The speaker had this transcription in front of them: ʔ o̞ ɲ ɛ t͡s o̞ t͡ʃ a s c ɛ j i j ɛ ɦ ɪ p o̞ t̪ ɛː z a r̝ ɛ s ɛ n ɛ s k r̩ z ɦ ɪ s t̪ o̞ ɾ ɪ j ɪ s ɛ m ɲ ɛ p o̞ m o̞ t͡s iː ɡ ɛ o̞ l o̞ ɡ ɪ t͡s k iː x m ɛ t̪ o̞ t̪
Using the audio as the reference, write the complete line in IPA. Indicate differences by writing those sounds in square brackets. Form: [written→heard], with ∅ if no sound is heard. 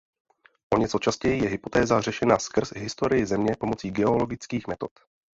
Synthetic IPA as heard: ʔ o̞ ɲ ɛ t͡s o̞ t͡ʃ a s c ɛ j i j ɛ ɦ ɪ p o̞ t̪ ɛː z a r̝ ɛ [s→ʃ] ɛ n [ɛ→a] s k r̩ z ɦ ɪ s t̪ o̞ ɾ ɪ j ɪ [s→z] ɛ m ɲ ɛ p o̞ m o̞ t͡s iː ɡ ɛ o̞ l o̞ ɡ ɪ t͡s k iː x m ɛ t̪ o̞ t̪